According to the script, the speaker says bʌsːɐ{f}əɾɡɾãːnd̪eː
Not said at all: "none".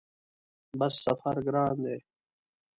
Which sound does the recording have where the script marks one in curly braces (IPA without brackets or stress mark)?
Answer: f